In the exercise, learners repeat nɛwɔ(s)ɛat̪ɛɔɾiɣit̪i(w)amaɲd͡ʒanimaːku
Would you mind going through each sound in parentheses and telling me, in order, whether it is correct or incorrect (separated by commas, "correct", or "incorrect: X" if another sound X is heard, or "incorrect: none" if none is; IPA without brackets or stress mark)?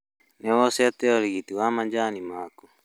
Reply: correct, correct